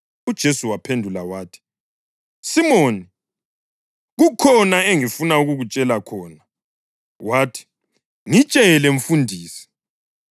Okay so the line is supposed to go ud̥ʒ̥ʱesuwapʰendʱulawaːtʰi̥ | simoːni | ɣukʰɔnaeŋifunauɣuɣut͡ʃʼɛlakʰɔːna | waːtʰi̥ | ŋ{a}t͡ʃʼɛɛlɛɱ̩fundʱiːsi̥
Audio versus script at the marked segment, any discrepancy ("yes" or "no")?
yes